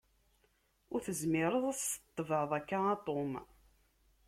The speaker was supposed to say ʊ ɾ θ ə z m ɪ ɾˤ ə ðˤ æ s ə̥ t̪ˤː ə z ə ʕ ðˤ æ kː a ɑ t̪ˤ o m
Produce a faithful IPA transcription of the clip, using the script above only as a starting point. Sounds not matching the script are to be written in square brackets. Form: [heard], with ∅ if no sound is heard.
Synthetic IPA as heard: ʊ ɾ θ ə z m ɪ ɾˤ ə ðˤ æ s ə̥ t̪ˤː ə [v] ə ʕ ðˤ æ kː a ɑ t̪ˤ o m